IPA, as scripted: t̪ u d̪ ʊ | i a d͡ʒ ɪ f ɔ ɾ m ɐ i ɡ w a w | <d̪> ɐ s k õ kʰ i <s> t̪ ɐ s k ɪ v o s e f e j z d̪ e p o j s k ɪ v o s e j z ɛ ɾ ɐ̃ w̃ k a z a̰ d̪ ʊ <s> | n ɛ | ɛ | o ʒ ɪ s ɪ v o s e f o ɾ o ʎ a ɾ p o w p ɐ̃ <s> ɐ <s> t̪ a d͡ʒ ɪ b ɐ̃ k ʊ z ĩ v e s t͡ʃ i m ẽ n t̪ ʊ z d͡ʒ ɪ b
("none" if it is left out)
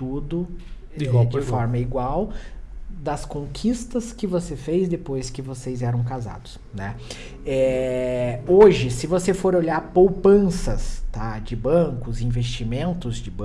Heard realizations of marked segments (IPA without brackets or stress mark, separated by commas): d̪, s, s, s, s